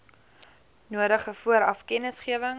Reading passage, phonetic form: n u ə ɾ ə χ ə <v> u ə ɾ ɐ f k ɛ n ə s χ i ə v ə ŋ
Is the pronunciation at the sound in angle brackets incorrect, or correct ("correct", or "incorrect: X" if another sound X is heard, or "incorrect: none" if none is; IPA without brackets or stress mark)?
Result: incorrect: f